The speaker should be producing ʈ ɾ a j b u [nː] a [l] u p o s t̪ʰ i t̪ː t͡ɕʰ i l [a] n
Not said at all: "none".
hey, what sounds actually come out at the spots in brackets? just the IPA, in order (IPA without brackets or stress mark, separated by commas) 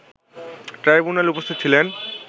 n, l, e